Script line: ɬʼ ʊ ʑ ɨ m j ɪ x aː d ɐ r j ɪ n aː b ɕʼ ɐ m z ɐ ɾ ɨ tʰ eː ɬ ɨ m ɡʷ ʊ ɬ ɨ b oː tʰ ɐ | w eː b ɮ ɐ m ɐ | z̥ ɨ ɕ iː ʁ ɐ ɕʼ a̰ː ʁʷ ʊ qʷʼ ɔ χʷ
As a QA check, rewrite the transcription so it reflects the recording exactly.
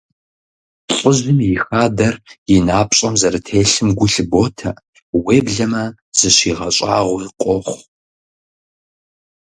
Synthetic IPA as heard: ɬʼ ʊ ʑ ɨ m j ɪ x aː d ɐ r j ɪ n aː p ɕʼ ɐ m z ɐ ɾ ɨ tʰ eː ɬ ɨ m ɡʷ ʊ ɬ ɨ b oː tʰ ɐ | w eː b ɮ ɐ m ɐ | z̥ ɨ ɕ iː ʁ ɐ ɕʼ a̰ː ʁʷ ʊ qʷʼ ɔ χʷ